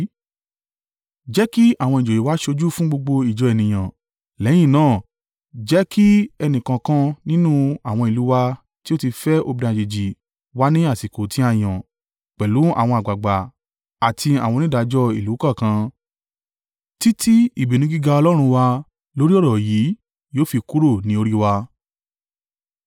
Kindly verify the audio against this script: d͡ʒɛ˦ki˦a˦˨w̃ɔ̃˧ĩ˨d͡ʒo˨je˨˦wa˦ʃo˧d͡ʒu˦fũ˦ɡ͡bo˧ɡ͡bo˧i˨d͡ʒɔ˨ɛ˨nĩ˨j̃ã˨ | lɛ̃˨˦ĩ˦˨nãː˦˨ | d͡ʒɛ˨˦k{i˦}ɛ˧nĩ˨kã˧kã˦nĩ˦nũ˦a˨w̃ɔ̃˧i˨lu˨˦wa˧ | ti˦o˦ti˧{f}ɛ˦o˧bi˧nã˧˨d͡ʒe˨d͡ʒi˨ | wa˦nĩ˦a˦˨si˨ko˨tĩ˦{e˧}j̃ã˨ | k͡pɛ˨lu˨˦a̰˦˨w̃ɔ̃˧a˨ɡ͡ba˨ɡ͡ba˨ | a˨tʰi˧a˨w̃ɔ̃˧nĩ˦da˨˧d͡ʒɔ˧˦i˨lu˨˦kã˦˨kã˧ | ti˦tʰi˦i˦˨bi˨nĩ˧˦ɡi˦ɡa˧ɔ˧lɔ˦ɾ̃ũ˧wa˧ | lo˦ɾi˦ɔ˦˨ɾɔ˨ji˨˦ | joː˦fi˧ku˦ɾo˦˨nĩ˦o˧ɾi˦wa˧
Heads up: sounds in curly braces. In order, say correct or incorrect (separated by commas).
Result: correct, correct, incorrect